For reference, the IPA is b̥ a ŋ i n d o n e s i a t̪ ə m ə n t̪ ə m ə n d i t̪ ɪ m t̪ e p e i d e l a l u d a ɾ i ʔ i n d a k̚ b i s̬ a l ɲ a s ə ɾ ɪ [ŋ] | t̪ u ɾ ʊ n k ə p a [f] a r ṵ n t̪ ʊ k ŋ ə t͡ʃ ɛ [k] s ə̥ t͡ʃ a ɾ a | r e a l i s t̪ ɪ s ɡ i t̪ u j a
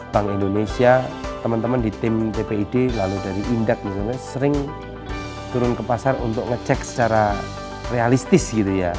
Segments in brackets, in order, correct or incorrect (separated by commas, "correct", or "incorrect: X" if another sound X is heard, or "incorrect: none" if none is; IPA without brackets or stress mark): correct, incorrect: s, correct